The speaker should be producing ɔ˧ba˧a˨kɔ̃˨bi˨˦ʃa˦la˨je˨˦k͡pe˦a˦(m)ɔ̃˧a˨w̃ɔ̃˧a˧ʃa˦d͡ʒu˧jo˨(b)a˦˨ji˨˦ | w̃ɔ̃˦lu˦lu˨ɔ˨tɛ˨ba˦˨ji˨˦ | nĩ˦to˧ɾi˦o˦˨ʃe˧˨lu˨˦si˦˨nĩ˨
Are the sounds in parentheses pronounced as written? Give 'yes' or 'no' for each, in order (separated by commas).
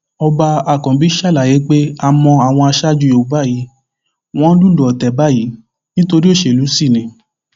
yes, yes